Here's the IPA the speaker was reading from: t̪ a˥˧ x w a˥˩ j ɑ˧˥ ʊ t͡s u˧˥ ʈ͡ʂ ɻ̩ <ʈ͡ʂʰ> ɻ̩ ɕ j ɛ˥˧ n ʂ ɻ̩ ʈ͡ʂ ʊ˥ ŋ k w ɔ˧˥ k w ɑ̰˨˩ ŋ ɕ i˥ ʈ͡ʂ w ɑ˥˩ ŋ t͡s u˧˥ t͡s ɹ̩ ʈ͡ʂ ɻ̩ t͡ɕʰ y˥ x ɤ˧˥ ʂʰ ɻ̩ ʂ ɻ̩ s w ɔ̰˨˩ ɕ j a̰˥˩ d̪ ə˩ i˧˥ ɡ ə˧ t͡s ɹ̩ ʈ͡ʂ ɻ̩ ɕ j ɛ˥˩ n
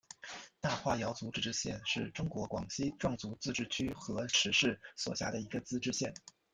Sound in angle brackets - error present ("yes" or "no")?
yes